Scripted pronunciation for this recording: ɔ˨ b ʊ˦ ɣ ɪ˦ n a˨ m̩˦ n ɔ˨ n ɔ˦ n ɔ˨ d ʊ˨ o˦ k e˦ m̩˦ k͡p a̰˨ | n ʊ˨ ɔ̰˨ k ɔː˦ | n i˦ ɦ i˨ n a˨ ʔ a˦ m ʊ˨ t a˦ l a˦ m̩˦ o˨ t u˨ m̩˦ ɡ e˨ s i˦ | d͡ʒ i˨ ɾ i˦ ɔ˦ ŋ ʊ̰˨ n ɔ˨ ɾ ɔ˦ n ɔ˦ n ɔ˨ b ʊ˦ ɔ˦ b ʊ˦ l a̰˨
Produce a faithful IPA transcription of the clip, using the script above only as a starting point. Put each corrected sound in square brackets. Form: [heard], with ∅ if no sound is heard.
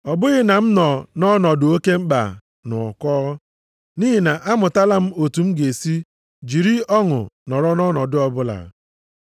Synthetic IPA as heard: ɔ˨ b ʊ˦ ɣ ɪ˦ n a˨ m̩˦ n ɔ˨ n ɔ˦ n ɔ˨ d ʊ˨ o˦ k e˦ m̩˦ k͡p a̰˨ | n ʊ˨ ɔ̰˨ k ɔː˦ | n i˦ ɦ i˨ n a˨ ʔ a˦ m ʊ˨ t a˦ l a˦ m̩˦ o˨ t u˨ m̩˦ ɡ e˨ s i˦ | d͡ʒ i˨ ɾ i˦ ɔ˦ ŋ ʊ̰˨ n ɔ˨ ɾ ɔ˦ n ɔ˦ n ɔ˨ [d] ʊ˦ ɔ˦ b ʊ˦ l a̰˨